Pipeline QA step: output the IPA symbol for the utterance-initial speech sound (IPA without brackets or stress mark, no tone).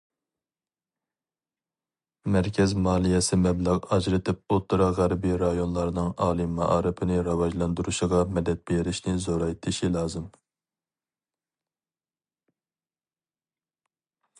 m